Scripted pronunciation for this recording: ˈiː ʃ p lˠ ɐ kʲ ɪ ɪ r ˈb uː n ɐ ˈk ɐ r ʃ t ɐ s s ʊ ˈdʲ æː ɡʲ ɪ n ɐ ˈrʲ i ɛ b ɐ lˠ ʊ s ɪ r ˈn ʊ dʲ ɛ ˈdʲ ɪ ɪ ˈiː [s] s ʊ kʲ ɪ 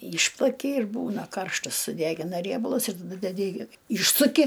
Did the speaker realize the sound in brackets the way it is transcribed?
no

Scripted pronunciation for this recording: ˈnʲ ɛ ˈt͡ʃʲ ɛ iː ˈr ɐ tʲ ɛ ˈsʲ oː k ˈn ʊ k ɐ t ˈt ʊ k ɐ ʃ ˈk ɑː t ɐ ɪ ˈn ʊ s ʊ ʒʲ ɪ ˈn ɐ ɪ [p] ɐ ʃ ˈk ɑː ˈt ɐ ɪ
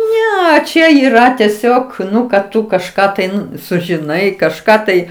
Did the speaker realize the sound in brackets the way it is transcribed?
no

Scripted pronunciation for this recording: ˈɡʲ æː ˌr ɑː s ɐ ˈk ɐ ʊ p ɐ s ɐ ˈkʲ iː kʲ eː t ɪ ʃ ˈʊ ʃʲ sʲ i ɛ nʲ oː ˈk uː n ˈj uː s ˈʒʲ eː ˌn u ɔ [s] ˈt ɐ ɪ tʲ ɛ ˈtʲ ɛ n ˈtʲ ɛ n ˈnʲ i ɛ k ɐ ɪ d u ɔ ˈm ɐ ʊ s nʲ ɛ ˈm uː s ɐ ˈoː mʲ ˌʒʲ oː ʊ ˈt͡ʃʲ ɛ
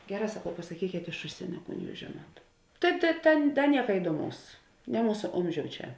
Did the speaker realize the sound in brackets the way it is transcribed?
no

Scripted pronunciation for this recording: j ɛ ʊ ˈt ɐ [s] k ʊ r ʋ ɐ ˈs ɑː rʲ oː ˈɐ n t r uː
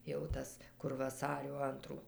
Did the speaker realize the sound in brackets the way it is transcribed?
yes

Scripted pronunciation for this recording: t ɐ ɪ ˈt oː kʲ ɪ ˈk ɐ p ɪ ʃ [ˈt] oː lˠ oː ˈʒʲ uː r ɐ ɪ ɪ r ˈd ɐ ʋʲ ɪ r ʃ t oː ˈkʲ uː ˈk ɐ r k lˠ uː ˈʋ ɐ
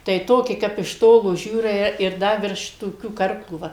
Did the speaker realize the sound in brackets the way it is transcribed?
yes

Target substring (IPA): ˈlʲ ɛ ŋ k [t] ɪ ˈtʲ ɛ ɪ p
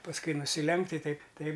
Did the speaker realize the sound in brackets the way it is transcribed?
yes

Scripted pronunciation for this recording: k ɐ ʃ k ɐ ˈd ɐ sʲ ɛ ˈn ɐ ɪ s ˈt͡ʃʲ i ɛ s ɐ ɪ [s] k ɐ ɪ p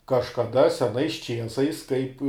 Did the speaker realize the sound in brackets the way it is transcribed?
yes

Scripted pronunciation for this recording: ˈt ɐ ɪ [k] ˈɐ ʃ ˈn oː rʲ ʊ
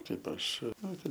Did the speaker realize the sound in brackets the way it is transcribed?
no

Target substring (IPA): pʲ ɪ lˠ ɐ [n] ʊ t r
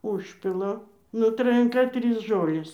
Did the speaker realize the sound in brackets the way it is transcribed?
yes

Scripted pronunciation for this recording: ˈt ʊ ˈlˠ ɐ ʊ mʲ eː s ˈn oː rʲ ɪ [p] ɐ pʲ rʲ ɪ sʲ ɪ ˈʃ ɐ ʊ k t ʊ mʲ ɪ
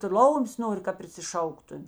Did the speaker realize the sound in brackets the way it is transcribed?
no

